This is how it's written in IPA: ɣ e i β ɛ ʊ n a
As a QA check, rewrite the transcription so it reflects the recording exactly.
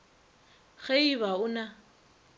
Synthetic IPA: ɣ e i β a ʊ n a